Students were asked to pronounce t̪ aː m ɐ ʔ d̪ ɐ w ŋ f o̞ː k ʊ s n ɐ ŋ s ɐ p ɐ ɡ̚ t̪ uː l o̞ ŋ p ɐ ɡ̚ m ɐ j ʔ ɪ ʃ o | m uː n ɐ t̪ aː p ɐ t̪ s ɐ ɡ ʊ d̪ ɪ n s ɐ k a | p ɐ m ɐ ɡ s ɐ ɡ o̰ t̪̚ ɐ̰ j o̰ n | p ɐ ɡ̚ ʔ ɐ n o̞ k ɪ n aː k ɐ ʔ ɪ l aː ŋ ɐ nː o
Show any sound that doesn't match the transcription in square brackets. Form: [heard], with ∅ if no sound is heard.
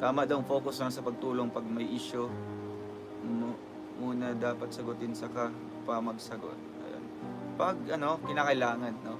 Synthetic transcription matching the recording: t̪ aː m ɐ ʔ d̪ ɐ w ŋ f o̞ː k ʊ s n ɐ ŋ s ɐ p ɐ ɡ̚ t̪ uː l o̞ ŋ p ɐ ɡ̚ m ɐ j ʔ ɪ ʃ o | m uː n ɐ [d̪] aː p ɐ t̪ s ɐ ɡ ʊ [t̪] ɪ n s ɐ k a | p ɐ m ɐ ɡ s ɐ ɡ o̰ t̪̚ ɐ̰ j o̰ n | p ɐ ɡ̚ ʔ ɐ n o̞ k ɪ n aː k ɐ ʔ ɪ l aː ŋ ɐ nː o